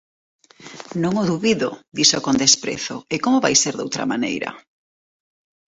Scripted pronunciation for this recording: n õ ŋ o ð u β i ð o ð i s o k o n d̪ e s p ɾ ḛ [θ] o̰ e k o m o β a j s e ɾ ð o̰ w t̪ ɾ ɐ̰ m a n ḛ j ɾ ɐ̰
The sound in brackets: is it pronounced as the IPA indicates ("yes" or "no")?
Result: yes